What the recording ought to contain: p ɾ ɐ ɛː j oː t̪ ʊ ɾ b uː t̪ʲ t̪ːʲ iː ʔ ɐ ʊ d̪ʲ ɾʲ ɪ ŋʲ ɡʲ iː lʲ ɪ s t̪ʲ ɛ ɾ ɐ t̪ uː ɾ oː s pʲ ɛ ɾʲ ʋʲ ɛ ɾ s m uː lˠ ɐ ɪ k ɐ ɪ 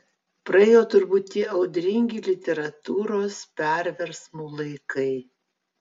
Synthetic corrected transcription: p ɾ ɐ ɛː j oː t̪ ʊ ɾ b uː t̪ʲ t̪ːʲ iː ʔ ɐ ʊ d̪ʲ ɾʲ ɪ ŋʲ ɡʲ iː lʲ ɪ t̪ʲ ɛ ɾ ɐ t̪ uː ɾ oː s pʲ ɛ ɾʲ ʋʲ ɛ ɾ s m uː lˠ ɐ ɪ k ɐ ɪ